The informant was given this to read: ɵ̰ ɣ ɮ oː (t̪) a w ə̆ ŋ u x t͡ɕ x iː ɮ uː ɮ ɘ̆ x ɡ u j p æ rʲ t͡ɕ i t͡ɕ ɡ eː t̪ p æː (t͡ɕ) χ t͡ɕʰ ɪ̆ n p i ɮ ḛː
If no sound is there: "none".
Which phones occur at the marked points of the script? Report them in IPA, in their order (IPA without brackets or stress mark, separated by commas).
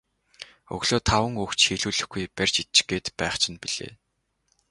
t̪ʰ, none